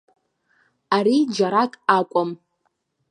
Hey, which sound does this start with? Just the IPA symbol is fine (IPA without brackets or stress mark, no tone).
a